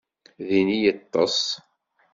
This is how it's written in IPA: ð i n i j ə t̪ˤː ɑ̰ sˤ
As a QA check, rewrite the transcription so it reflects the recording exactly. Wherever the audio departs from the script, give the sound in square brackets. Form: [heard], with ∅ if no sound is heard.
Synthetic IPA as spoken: ð i n i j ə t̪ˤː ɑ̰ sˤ